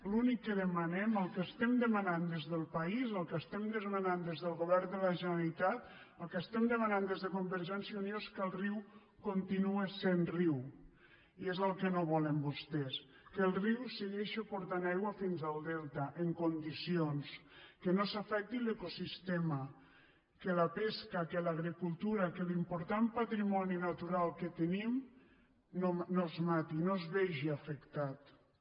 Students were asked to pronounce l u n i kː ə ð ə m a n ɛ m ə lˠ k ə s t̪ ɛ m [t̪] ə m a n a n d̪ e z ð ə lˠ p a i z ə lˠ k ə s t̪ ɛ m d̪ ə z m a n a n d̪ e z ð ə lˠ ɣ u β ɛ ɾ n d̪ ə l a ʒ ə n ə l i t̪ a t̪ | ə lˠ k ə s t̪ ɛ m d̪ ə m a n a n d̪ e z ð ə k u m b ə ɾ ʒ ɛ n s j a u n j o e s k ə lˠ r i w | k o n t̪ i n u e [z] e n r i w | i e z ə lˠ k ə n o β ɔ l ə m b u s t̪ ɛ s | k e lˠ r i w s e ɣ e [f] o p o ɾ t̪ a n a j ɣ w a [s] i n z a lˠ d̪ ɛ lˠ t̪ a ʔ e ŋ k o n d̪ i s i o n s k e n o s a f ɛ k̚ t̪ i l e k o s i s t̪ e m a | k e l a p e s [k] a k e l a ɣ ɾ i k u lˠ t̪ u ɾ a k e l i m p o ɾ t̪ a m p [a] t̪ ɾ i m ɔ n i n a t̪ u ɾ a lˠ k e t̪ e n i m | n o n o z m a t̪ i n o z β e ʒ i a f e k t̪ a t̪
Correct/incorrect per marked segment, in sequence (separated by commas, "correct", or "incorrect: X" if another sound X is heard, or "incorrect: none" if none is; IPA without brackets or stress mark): incorrect: d̪, incorrect: s, incorrect: ʃ, incorrect: f, correct, correct